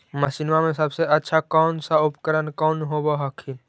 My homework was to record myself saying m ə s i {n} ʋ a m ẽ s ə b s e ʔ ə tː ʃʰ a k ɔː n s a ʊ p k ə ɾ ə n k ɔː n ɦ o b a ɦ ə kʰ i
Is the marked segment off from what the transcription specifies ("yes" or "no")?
no